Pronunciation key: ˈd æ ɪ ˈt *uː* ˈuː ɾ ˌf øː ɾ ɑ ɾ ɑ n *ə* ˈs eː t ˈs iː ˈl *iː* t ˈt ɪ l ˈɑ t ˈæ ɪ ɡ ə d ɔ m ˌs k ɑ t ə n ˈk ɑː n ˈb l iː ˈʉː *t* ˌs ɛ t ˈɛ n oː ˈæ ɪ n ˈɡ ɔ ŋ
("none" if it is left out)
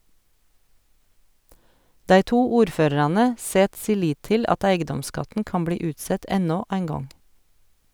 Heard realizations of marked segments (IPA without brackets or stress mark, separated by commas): uː, ə, iː, t